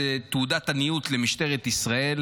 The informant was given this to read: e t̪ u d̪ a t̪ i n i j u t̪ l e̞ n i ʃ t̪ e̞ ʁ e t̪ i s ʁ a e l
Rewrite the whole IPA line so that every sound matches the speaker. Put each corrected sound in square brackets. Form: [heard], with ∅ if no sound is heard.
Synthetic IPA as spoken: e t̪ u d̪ a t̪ [a] n i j u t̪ l e̞ [m] i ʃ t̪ e̞ ʁ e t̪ i s ʁ a e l